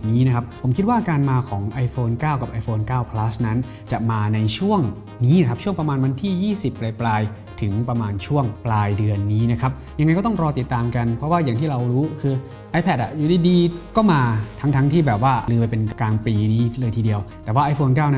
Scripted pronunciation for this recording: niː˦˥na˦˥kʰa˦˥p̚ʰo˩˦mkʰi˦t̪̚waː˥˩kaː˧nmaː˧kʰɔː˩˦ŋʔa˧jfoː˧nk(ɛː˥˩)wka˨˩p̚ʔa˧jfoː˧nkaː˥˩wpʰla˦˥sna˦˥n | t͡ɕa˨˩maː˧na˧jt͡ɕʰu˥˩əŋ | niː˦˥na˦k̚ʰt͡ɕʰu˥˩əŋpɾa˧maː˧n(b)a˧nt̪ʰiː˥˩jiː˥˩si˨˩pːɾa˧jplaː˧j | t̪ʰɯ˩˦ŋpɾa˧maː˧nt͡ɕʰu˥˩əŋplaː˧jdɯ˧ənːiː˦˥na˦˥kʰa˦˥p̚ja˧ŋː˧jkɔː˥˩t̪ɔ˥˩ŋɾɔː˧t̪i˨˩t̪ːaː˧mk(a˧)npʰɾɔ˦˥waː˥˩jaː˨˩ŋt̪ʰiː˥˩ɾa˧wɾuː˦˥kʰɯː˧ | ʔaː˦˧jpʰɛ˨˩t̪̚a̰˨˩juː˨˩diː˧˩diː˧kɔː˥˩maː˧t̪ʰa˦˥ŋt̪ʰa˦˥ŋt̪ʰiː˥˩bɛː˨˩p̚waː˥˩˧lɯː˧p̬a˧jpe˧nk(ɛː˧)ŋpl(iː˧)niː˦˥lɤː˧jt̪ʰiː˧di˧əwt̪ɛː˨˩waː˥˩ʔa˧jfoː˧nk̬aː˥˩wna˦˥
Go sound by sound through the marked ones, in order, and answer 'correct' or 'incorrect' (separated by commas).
incorrect, incorrect, correct, incorrect, correct